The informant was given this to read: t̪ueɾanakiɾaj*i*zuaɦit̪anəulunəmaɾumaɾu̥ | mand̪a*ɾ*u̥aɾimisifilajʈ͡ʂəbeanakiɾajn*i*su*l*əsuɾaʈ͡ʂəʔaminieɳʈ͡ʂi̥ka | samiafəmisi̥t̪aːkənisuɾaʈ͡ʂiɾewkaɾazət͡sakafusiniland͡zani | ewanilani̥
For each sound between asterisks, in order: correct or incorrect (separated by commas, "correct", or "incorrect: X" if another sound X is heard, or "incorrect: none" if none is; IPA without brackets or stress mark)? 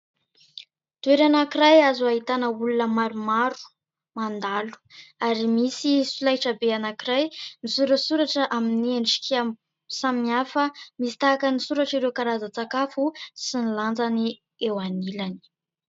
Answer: incorrect: a, incorrect: l, correct, incorrect: ɾ